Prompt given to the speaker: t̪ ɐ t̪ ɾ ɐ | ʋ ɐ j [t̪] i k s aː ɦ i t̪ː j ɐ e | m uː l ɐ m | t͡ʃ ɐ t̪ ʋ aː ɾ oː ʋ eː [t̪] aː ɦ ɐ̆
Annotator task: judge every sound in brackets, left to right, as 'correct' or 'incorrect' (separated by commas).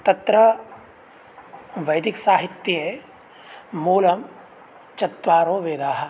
incorrect, incorrect